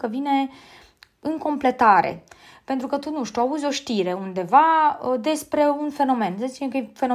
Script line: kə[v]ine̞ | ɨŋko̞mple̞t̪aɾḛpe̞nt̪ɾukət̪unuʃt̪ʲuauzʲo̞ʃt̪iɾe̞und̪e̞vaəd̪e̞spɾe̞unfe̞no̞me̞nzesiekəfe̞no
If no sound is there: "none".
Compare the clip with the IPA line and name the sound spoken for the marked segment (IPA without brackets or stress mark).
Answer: v